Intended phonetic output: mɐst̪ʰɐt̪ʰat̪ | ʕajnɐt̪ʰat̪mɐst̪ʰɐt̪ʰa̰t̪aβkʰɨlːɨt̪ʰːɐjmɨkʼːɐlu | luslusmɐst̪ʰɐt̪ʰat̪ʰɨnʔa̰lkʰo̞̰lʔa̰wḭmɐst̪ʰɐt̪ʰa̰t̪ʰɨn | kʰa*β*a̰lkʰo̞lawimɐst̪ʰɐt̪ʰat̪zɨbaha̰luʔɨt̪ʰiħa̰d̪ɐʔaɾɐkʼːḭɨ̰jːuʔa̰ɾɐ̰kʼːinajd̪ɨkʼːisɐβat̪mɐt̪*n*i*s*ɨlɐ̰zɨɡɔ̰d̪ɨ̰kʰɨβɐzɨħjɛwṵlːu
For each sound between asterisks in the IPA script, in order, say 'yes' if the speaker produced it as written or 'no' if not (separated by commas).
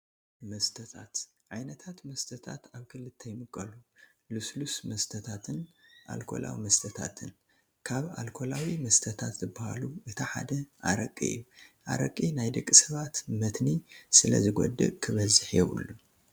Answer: yes, yes, yes